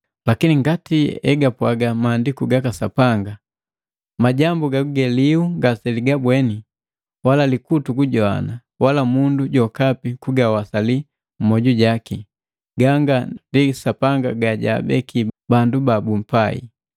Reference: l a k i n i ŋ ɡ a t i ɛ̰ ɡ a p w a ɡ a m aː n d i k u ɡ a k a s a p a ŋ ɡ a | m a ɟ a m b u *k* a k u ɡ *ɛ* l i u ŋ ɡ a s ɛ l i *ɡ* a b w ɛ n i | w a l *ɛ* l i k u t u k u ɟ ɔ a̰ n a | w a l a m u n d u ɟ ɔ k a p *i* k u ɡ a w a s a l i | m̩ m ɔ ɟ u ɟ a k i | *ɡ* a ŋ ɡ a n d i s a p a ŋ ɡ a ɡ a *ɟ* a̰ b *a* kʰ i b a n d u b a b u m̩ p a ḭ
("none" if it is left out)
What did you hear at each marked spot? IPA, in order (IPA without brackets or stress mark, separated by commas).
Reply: ɡ, ɛ, ɡ, a, i, ɡ, ɟ, ɛ